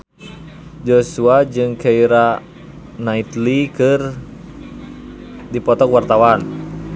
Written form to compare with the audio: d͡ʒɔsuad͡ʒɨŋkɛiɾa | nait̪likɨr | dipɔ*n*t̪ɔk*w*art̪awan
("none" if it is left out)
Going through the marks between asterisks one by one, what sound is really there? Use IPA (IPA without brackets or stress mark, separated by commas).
none, w